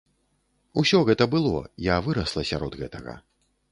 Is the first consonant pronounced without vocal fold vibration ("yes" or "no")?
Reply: yes